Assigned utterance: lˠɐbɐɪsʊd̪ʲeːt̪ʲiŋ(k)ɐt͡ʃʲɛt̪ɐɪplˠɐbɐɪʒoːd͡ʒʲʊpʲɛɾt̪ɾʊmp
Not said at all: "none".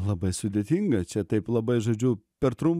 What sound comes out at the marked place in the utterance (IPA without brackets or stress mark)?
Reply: ɡ